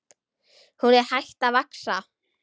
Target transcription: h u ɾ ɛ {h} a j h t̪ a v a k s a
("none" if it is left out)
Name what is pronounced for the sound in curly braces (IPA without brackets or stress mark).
h